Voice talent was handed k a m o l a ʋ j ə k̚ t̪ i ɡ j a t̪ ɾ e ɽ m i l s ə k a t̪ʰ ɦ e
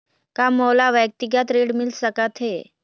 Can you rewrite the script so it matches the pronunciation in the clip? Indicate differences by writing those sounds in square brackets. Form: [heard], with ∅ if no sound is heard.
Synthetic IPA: k a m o l a ʋ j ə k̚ t̪ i ɡ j a t̪ ɾ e ɽ m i l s ə k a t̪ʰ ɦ e